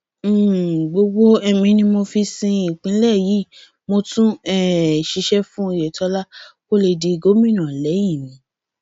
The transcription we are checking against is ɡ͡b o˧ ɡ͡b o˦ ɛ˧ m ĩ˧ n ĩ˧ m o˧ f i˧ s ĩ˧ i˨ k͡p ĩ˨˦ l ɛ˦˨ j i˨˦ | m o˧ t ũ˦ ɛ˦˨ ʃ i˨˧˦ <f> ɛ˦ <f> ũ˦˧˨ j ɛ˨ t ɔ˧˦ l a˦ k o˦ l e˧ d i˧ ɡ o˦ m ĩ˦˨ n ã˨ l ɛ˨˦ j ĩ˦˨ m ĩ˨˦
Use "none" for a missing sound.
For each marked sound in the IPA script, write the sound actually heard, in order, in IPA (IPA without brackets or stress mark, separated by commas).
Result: ʃ, f